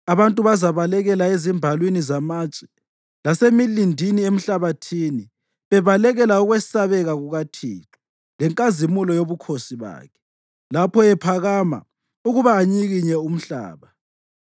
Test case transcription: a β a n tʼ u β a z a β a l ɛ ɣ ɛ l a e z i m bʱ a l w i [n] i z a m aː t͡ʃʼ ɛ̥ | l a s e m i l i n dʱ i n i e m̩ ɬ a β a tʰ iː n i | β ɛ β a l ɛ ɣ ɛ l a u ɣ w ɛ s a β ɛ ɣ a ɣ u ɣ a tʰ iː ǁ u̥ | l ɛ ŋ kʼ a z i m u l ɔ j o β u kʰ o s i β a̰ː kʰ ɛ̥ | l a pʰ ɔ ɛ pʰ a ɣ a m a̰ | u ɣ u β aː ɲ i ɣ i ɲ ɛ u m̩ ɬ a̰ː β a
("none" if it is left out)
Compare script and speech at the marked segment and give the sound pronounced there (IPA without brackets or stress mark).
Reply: n